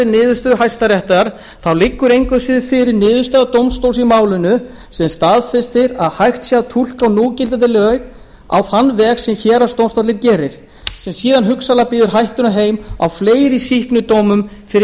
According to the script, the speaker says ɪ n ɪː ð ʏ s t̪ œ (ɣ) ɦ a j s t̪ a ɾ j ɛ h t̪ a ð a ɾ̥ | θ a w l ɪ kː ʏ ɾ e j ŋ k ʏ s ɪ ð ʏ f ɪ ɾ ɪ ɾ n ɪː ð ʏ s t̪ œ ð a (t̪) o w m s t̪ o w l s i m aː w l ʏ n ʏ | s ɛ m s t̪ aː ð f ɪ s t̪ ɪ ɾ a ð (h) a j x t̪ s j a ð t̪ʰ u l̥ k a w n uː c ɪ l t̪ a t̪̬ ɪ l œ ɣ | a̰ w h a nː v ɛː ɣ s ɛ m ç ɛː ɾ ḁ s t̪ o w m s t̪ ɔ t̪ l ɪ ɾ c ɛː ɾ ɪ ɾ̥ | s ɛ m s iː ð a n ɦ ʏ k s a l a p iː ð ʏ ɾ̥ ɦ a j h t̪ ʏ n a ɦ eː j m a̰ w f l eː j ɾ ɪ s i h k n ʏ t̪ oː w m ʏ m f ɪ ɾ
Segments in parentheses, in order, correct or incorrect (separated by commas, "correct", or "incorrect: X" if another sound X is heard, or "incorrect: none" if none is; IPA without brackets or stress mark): incorrect: ð, correct, correct